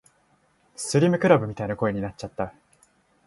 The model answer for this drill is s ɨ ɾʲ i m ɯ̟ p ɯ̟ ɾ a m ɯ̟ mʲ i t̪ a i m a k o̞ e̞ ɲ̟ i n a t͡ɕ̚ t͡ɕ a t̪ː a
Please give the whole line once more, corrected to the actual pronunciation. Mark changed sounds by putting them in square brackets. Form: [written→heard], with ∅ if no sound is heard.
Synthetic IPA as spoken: s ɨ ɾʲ i m ɯ̟ [p→k] ɯ̟ ɾ a [m→b] ɯ̟ mʲ i t̪ a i [m→n] a k o̞ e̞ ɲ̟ i n a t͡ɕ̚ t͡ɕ a t̪ː a